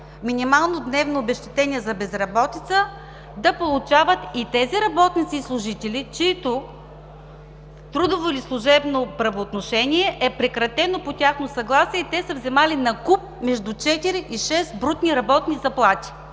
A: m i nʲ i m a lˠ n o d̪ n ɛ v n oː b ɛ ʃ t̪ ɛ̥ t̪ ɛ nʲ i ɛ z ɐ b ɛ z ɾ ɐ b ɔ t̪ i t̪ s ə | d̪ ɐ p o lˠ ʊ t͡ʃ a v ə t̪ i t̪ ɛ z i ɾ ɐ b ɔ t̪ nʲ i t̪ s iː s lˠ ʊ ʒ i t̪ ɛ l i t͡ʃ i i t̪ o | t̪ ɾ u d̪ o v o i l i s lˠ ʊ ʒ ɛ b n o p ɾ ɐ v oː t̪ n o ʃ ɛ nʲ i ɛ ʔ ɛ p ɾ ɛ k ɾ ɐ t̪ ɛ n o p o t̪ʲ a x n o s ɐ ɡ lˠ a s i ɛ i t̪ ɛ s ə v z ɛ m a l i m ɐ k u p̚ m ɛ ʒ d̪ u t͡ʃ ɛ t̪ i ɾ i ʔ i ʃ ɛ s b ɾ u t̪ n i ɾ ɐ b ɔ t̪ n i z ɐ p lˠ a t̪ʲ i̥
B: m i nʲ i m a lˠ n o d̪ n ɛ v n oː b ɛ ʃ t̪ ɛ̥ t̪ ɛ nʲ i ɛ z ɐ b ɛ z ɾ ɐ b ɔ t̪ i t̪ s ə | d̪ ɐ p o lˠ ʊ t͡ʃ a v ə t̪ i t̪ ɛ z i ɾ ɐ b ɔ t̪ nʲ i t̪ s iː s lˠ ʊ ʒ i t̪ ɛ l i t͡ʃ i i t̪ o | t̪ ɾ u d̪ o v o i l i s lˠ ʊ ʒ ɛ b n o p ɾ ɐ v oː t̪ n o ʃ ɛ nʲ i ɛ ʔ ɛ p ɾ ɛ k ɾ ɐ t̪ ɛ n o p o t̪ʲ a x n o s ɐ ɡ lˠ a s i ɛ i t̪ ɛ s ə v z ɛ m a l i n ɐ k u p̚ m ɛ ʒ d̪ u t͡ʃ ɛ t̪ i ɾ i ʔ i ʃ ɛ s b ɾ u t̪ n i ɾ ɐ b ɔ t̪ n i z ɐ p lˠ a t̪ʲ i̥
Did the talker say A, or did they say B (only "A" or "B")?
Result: B